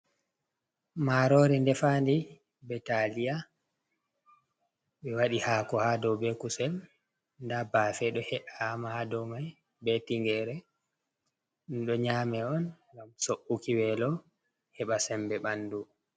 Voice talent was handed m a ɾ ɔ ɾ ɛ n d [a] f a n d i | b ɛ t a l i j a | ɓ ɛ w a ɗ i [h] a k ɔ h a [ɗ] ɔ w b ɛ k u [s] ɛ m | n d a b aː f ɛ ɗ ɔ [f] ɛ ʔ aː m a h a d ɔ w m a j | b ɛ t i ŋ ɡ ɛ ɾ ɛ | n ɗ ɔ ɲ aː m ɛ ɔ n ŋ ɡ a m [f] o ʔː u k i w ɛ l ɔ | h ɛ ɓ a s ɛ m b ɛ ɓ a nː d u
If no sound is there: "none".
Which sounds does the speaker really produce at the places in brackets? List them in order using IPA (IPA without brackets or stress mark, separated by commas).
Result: ɛ, h, d, s, h, s